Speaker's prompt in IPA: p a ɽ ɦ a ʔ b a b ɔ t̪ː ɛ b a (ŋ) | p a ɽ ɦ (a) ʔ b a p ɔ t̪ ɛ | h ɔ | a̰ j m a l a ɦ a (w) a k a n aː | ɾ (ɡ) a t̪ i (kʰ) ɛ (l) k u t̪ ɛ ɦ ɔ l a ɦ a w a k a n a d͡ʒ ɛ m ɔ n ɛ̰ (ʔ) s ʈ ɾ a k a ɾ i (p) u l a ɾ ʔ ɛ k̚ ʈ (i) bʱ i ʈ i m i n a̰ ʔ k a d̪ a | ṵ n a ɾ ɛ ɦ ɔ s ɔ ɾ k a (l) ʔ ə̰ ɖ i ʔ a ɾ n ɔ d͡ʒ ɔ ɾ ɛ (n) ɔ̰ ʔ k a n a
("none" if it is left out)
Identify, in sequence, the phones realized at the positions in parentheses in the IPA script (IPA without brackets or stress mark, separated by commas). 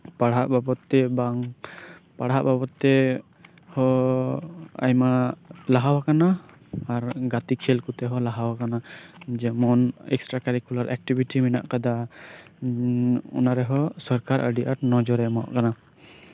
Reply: ŋ, a, w, ɡ, kʰ, l, k, k, i, ɾ, m